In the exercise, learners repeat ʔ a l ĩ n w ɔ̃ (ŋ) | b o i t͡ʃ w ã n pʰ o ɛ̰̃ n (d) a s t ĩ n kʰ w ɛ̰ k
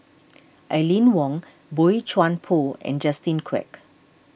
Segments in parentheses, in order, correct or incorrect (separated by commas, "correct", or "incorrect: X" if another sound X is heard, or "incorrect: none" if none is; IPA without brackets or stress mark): correct, incorrect: d͡ʒ